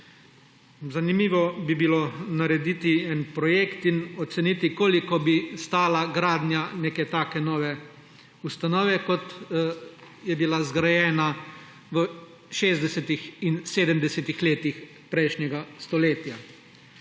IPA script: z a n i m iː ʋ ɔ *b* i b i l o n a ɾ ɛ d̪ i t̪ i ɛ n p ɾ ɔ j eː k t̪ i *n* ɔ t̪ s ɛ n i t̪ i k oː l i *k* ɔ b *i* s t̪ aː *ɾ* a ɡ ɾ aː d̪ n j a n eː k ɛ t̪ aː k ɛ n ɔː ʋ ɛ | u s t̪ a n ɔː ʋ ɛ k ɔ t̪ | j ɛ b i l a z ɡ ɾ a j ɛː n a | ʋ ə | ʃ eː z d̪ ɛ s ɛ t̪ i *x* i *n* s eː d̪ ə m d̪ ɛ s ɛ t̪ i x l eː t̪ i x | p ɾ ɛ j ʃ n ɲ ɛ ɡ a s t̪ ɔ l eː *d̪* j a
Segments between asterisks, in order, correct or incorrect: correct, correct, correct, correct, incorrect, correct, correct, incorrect

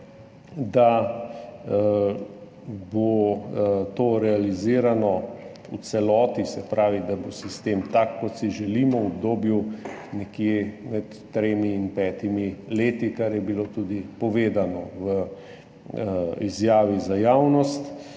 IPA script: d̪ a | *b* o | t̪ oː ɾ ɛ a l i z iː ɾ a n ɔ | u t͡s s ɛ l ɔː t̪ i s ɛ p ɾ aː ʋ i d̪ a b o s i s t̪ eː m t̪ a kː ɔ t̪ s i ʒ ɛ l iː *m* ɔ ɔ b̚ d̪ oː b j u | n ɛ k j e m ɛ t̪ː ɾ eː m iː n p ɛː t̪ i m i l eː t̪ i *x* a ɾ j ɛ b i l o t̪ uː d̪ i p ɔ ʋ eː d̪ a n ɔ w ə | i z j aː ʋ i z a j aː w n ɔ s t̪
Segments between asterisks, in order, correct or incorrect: correct, correct, incorrect

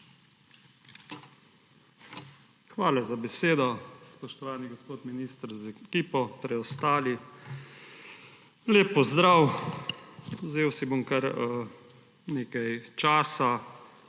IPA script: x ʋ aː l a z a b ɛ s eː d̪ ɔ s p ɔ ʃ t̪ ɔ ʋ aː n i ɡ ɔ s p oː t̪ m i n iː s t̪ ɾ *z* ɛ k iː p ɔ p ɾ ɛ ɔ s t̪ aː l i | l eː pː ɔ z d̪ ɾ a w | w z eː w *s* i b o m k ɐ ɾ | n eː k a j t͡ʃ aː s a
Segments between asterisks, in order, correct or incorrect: correct, correct

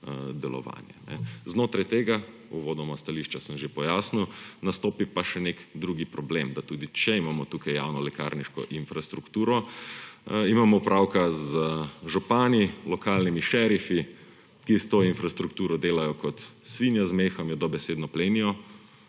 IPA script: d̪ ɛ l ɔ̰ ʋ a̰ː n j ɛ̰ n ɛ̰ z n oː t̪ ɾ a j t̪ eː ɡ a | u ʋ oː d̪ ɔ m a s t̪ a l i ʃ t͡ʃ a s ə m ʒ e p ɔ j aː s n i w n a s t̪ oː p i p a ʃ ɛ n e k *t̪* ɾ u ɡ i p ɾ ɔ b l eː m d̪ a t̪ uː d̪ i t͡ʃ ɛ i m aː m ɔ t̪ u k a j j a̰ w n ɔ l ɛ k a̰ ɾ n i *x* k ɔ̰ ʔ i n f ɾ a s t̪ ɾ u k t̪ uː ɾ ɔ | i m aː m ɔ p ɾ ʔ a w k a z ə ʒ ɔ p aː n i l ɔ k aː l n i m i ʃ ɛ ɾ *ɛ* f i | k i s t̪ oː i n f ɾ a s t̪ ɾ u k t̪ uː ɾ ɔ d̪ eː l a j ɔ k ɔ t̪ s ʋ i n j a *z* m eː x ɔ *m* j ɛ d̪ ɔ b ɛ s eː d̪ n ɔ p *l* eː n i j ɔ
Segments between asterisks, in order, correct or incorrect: incorrect, incorrect, incorrect, correct, correct, correct

